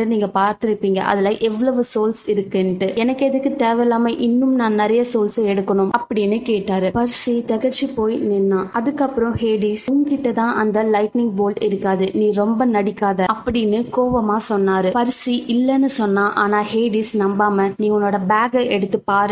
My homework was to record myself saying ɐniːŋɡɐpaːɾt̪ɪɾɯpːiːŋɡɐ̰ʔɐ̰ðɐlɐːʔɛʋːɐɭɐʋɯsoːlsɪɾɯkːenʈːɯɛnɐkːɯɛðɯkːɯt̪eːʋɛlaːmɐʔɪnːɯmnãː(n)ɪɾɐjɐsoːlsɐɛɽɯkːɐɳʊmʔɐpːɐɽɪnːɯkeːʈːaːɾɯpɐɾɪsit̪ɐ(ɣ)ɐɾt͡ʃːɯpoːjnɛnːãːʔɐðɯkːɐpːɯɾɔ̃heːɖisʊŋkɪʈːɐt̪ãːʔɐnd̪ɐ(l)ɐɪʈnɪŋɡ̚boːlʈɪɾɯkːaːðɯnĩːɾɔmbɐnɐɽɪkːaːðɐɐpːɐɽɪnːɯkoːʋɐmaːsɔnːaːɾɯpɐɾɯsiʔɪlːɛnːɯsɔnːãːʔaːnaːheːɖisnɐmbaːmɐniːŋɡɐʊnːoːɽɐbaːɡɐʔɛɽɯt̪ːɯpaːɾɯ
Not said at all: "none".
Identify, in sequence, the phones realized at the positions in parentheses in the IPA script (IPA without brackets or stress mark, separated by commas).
n, ɣ, l